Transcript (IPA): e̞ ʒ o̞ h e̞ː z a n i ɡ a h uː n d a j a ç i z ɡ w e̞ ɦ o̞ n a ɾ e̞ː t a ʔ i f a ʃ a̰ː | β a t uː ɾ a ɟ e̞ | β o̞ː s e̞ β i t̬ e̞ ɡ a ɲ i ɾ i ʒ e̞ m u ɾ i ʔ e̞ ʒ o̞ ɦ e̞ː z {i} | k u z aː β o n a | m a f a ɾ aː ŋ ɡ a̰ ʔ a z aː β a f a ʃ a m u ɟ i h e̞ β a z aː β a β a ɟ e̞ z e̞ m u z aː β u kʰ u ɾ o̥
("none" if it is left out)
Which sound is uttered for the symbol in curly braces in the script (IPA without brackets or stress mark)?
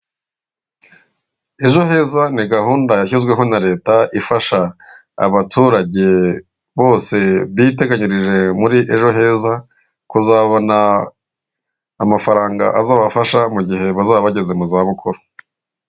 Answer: a